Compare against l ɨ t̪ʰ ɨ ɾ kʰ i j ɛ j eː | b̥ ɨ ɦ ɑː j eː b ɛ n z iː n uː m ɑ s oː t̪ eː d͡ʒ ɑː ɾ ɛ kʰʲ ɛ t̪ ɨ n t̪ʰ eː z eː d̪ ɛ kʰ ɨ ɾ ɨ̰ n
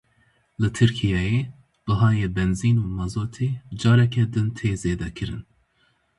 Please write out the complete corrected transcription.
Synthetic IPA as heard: l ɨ t̪ʰ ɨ ɾ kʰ i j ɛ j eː | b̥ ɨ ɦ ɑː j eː b ɛ n z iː n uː m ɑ z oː t̪ʰ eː d͡ʒ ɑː ɾ ɛ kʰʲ ɛ d̪ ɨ n t̪ʰ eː z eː d̪ ɛ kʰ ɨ ɾ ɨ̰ n